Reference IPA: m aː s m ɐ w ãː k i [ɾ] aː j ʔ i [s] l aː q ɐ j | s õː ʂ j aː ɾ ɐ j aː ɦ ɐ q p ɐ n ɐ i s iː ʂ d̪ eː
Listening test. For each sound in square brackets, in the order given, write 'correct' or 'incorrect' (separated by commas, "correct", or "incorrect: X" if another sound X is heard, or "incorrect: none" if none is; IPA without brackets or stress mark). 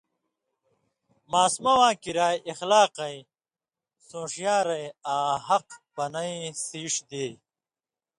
correct, incorrect: x